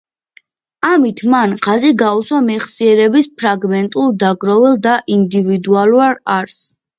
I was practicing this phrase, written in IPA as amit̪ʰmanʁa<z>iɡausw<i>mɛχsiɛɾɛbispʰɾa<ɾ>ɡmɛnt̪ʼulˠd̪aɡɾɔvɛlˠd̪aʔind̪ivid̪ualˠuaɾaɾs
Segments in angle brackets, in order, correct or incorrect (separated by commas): correct, incorrect, incorrect